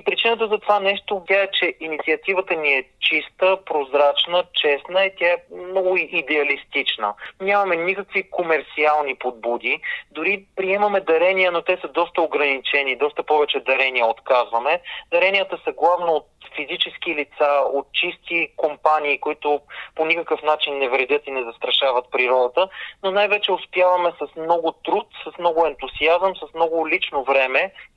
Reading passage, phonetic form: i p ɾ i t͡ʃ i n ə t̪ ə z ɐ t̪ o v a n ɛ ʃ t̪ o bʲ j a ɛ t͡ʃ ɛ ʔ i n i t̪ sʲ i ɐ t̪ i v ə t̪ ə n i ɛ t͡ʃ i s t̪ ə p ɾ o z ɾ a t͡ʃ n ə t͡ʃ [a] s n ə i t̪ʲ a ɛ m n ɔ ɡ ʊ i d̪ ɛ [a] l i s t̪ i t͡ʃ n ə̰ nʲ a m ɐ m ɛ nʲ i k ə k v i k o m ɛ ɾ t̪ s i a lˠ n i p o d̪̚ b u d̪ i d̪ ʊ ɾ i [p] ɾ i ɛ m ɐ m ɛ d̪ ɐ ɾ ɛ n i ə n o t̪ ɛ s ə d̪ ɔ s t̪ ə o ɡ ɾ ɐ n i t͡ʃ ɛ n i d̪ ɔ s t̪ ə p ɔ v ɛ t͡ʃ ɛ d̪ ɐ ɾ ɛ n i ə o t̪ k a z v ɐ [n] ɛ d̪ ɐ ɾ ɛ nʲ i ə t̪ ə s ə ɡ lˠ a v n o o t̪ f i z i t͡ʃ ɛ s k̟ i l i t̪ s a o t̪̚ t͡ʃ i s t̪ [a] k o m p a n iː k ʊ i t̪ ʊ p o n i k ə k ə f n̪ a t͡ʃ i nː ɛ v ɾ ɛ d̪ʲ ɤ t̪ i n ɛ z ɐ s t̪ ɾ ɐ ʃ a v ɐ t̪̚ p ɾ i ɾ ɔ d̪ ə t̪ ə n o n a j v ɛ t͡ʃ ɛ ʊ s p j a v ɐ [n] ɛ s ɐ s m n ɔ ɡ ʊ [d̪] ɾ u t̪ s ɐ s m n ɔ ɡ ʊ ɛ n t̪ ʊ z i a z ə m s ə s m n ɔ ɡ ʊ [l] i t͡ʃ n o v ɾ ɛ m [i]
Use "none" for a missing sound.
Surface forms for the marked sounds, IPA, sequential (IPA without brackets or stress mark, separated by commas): ɛ, ɐ, p, m, i, m, t̪, l, ɛ